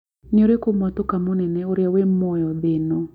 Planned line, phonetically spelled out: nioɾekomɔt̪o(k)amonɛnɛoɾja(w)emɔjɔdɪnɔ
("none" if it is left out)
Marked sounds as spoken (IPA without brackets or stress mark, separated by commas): k, w